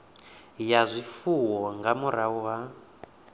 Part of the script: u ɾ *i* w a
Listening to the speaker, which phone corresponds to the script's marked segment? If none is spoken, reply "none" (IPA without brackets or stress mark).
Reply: a